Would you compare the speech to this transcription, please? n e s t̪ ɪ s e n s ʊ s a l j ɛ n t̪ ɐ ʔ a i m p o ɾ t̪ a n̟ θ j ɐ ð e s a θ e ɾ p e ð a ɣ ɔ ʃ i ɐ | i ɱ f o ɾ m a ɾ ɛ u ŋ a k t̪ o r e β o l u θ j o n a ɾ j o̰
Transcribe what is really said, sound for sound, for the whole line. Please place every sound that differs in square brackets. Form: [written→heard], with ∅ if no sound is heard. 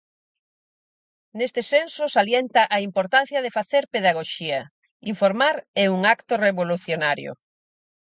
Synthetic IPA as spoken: n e s t̪ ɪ s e n s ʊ s a l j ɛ n t̪ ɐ ʔ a i m p o ɾ t̪ a n̟ θ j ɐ ð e [s→f] a θ e ɾ p e ð a ɣ [ɔ→o] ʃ i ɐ | i ɱ f o ɾ m a ɾ ɛ u ŋ a k t̪ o r e β o l u θ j o n a ɾ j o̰